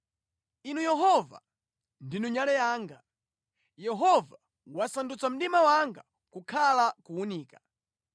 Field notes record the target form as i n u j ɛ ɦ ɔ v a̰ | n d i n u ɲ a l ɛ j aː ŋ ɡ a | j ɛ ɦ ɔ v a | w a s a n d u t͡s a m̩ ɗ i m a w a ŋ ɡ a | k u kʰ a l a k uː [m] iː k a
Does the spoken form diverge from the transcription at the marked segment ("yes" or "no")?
yes